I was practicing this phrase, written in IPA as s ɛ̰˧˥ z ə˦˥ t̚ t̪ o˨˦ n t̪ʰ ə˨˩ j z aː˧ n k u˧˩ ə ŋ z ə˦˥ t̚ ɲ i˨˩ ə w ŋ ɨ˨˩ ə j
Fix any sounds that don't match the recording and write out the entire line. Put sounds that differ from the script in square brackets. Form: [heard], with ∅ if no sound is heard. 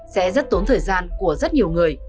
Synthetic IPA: s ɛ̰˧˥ z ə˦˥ t̚ t̪ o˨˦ n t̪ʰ [əː˨˩] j z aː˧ n k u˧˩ ə [∅] z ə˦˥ t̚ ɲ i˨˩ ə w ŋ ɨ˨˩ ə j